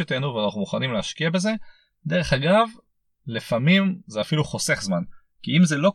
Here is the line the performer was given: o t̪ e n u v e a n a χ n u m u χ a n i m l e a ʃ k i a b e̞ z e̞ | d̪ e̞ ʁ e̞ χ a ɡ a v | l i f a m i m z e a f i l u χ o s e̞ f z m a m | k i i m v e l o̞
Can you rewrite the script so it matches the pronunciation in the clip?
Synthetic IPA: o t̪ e n u v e a n a χ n u m u χ a n i m l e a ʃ k i a b e̞ z e̞ | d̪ e̞ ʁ e̞ χ a ɡ a v | l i f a m i m z e a f i l u χ o s e̞ χ z m a n | k i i m z e l o̞